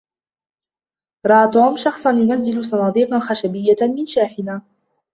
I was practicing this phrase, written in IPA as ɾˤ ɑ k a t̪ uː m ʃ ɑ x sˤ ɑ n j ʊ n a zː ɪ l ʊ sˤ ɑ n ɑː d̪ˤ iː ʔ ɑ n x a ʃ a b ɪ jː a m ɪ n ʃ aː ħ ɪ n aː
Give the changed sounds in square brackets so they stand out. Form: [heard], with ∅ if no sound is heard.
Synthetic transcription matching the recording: ɾˤ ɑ [ʔ] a t̪ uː m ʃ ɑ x sˤ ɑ n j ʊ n a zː ɪ l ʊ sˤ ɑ n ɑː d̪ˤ iː [q] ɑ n x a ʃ a b ɪ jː a m ɪ n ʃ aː ħ ɪ n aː

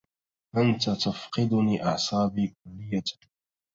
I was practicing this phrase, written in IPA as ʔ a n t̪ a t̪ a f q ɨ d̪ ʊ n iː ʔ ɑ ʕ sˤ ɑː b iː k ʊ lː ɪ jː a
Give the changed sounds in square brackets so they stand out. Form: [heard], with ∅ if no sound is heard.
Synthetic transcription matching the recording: ʔ a n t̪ a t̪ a f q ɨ d̪ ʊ n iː ʔ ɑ ʕ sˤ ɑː b iː k ʊ lː ɪ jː a

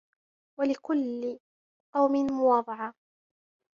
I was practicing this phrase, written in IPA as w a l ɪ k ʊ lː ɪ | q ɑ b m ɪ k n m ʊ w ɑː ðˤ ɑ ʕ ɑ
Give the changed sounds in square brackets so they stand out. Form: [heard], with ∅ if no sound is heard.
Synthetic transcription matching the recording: w a l ɪ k ʊ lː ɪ | q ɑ [w] m ɪ [∅] n m ʊ w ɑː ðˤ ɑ ʕ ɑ

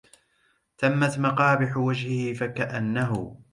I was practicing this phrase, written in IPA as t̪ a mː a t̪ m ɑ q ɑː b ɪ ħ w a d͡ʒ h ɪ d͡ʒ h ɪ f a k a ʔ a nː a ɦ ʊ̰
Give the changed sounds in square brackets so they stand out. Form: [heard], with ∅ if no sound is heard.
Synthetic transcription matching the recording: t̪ a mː a t̪ m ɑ q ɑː b ɪ ħ w a d͡ʒ h ɪ [∅] h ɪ f a k a ʔ a nː a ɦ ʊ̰

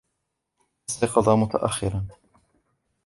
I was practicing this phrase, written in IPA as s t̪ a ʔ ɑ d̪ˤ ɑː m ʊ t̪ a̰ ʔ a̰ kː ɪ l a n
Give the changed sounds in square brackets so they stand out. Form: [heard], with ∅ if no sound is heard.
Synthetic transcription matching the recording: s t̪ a [q] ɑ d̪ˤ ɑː m ʊ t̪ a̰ ʔ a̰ [xː] ɪ [ɾ] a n

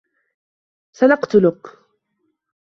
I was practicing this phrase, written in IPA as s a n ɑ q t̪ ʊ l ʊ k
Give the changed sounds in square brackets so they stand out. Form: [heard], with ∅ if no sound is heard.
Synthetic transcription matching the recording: s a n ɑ q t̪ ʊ l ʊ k

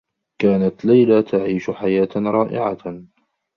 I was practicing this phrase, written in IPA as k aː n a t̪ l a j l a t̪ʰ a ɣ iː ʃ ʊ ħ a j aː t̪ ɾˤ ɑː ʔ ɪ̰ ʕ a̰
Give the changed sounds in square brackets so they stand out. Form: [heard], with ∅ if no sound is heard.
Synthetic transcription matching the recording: k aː n a t̪ l a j l a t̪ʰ a [ʕ] iː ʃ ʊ ħ a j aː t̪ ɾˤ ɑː ʔ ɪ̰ ʕ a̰

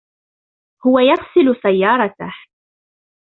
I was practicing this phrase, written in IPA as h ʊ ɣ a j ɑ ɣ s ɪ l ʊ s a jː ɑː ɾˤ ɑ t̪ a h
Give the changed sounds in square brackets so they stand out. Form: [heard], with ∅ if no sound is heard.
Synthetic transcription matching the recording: h ʊ [w] a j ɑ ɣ s ɪ l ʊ s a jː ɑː ɾˤ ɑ t̪ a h

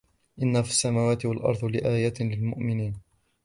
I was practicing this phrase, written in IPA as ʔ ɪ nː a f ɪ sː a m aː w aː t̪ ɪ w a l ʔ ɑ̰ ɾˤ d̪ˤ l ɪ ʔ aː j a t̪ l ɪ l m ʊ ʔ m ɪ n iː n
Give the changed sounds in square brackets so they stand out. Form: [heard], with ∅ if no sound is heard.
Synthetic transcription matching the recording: ʔ ɪ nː a f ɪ sː a m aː w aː t̪ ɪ w a l ʔ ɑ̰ ɾˤ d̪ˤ l ɪ ʔ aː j a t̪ l ɪ l m ʊ ʔ m ɪ n iː n

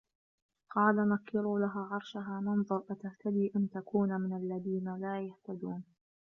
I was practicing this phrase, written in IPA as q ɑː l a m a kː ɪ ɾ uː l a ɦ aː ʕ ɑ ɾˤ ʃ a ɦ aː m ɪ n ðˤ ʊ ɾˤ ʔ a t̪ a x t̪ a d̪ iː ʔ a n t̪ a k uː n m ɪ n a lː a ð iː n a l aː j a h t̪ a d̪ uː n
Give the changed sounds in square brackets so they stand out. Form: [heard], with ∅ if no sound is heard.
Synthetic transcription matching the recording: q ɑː l a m a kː ɪ ɾ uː l a ɦ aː ʕ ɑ ɾˤ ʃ a ɦ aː m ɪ n ðˤ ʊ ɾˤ ʔ a t̪ a [h] t̪ a d̪ iː ʔ a n t̪ a k uː n m ɪ n a lː a ð iː n a l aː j a h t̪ a d̪ uː n

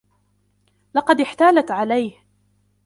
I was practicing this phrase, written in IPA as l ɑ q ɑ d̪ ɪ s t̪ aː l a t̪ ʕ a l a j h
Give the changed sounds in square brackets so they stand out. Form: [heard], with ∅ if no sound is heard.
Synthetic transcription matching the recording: l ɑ q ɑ d̪ ɪ [ħ] t̪ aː l a t̪ ʕ a l a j h

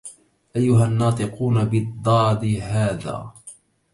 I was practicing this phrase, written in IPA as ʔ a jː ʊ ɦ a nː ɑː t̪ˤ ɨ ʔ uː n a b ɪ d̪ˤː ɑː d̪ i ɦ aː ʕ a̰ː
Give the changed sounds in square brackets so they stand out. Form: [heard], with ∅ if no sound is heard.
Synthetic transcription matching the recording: ʔ a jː ʊ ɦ a nː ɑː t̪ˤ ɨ [q] uː n a b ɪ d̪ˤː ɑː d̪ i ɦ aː [ð] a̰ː

